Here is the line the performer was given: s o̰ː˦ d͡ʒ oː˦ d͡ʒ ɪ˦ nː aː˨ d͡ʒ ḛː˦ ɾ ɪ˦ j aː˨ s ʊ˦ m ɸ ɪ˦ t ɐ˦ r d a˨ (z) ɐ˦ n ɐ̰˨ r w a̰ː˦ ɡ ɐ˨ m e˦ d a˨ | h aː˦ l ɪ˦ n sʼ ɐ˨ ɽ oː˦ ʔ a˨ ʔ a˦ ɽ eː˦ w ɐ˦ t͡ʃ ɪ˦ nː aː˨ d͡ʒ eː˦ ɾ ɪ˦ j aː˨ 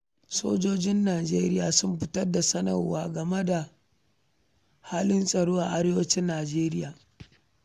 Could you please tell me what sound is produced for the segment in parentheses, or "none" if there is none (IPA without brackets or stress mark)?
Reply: s